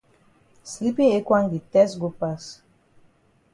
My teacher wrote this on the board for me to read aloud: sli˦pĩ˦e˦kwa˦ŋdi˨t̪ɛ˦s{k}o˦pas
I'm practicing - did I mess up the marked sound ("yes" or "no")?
yes